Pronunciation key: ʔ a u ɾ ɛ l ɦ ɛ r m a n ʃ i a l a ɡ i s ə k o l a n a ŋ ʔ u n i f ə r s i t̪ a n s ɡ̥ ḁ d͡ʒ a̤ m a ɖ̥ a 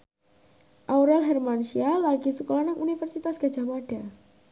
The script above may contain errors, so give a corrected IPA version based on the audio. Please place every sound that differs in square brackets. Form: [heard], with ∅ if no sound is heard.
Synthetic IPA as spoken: ʔ a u ɾ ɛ l ɦ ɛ r m a n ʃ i a l a ɡ i s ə k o l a n a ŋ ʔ u n i f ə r s i t̪ a [∅] s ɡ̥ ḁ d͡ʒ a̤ m a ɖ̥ a